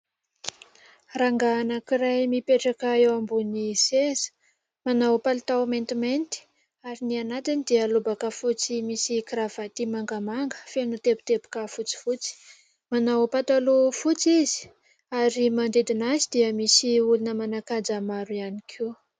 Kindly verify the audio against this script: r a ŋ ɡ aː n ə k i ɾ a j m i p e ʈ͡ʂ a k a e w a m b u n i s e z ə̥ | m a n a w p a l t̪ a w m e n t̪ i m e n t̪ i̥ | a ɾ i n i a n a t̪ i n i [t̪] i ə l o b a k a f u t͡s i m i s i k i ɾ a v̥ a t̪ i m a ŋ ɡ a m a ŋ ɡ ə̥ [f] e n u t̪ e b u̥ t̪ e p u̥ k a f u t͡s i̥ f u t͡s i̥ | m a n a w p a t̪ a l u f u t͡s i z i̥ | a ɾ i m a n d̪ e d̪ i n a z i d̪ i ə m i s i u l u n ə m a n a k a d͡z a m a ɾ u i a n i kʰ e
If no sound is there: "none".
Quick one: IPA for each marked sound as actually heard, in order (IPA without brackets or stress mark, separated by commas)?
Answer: d̪, f